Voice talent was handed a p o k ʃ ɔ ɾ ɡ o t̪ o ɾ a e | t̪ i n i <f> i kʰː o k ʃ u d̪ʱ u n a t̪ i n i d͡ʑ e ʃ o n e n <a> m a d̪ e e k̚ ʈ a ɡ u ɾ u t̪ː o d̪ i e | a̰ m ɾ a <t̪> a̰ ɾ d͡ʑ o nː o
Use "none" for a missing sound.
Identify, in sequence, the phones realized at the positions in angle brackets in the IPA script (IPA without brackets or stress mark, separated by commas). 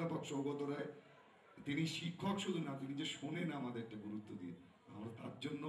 ʃ, a, t̪